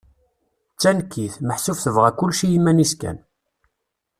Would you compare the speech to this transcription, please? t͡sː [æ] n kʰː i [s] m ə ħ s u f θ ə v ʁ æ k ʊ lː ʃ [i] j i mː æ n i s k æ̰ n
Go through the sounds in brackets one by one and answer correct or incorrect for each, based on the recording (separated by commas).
correct, incorrect, correct